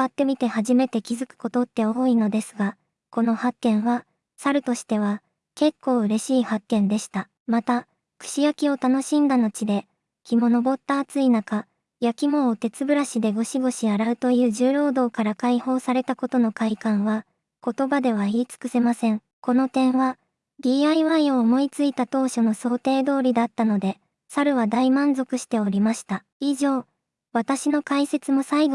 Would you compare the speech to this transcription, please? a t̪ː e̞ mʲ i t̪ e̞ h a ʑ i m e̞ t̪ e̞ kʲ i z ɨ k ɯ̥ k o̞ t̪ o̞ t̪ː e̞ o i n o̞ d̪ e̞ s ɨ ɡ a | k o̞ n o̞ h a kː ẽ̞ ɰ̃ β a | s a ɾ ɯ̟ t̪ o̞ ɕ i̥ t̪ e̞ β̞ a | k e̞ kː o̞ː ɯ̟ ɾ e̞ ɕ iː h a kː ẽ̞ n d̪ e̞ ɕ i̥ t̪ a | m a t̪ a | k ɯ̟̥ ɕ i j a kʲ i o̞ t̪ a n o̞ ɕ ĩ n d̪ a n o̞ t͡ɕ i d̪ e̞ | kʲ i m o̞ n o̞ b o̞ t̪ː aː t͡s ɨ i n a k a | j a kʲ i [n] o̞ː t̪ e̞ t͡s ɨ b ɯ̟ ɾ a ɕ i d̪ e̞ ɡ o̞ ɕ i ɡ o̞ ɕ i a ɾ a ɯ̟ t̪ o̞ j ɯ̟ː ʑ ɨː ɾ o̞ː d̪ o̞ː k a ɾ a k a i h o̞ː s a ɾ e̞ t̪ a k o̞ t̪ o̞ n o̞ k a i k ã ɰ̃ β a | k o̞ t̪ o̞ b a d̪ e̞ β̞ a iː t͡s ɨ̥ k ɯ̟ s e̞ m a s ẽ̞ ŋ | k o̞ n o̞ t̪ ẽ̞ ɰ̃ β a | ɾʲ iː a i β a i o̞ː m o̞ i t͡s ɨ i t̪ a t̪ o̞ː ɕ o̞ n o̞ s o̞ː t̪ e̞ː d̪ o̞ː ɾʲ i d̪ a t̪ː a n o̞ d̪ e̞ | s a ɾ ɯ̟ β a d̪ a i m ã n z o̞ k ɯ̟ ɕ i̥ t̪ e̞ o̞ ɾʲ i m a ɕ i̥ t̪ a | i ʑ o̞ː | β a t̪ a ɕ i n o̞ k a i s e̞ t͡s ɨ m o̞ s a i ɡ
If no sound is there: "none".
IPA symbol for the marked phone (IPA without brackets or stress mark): m